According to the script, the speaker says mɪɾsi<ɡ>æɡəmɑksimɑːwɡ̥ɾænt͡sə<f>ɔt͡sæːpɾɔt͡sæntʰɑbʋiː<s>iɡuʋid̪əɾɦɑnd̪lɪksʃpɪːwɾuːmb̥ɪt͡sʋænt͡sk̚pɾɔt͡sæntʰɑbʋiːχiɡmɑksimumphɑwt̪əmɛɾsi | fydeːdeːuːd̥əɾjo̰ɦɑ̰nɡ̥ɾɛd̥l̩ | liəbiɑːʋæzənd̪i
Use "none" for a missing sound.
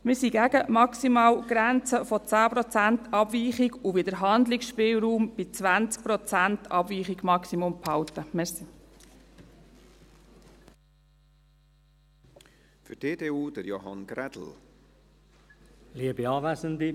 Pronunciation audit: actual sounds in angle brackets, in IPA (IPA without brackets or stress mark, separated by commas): ɡ, f, χ